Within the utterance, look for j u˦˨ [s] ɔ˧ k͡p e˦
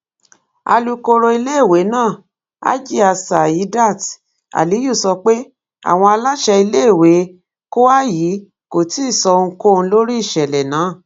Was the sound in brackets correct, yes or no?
yes